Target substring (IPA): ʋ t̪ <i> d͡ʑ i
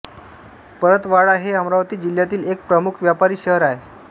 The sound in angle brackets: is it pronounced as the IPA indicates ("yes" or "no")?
no